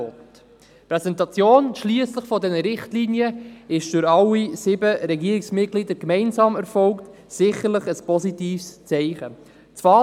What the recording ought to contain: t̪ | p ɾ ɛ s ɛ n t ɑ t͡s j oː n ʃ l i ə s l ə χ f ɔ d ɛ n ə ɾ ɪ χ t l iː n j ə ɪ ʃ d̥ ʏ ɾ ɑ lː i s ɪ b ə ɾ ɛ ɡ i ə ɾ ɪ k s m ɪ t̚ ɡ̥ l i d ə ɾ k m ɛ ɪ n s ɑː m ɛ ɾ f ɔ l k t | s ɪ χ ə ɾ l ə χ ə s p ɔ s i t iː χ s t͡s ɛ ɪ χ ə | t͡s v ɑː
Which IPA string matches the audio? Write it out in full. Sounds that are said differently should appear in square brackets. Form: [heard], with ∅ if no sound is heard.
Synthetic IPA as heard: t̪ | p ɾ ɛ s ɛ n t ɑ t͡s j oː n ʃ l i ə s l ə χ f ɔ d ɛ n ə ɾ ɪ χ t l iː n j ə ɪ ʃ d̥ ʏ ɾ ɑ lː i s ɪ b ə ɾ ɛ ɡ i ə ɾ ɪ k s m ɪ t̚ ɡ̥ l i d ə ɾ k m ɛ ɪ n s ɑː m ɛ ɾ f ɔ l k t | s ɪ χ ə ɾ l ə χ ə s p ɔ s i t iː [f] s t͡s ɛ ɪ χ ə | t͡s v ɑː